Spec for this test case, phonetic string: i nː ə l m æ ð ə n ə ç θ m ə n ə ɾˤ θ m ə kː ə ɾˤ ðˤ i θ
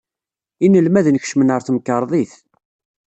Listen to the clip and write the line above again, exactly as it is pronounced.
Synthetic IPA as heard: i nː ə l m æ ð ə n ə ç ʃ m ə n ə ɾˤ θ m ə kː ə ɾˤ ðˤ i θ